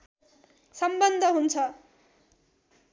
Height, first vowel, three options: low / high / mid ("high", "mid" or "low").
mid